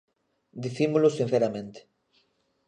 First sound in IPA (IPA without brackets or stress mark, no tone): d̪